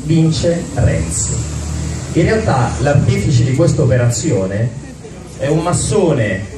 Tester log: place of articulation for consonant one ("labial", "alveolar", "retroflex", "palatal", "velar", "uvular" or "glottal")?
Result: labial